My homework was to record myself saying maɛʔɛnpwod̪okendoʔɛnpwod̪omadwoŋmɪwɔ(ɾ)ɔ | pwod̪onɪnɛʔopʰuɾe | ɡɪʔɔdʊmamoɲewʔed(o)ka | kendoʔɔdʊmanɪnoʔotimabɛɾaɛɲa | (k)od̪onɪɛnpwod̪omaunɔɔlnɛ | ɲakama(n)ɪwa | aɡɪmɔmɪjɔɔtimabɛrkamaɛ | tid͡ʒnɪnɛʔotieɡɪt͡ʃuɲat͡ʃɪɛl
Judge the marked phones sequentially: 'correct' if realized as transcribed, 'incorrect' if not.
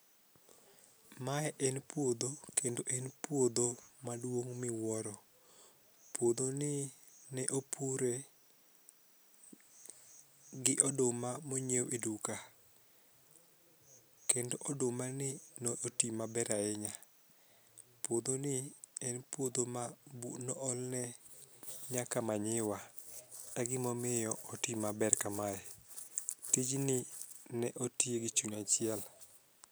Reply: correct, incorrect, incorrect, incorrect

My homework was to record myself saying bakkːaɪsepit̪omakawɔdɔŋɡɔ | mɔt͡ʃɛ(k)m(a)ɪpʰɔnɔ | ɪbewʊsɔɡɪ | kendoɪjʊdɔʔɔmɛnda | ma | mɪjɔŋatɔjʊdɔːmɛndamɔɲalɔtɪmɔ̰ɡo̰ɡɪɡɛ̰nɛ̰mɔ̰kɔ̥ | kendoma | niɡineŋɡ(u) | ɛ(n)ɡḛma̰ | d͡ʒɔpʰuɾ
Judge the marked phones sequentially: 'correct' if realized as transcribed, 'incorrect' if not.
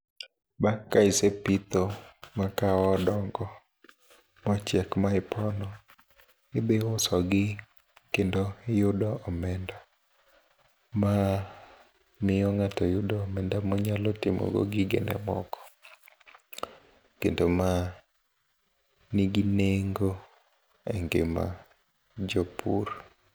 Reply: correct, correct, incorrect, incorrect

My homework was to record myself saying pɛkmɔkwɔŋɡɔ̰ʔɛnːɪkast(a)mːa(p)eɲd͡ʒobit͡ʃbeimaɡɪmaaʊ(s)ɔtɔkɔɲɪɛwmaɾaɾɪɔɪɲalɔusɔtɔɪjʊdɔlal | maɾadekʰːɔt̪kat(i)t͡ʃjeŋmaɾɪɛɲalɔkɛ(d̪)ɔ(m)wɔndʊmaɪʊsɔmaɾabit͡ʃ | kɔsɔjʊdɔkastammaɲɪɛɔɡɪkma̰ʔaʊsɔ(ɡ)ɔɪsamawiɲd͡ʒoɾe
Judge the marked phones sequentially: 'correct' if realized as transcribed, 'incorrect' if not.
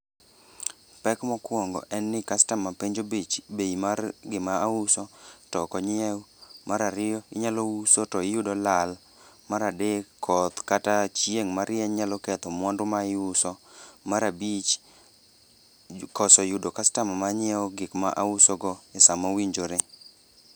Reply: correct, correct, correct, incorrect, incorrect, correct, correct

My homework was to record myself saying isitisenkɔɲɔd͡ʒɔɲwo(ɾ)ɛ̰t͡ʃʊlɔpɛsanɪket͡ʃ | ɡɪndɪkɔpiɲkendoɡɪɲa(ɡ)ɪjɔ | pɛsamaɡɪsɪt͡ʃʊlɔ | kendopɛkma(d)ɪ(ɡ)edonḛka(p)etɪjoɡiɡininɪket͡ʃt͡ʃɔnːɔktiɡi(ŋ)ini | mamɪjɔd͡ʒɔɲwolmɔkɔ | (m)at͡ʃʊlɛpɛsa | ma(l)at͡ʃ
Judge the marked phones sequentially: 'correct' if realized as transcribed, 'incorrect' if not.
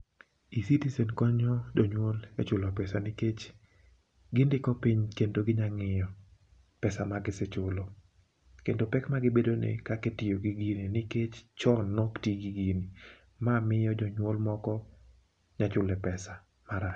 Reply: incorrect, incorrect, incorrect, incorrect, incorrect, incorrect, incorrect, incorrect

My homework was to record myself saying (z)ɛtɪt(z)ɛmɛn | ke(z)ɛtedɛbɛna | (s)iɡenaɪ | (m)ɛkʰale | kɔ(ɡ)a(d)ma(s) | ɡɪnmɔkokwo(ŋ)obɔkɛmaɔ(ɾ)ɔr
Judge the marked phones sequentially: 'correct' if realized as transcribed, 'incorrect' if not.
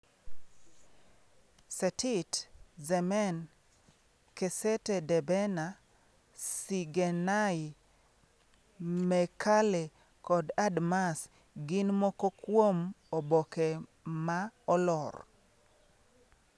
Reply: incorrect, correct, incorrect, correct, correct, incorrect, correct, correct, incorrect, incorrect

